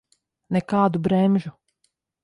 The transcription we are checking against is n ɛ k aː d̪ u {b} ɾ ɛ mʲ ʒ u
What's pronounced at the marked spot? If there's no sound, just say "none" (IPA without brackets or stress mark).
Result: b